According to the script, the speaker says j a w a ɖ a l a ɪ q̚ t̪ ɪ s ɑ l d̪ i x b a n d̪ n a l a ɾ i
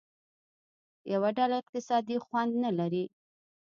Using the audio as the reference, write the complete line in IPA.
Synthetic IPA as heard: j a w a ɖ a l a ɪ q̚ t̪ ɪ s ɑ d̪ i x w a n d̪ n a l a ɾ i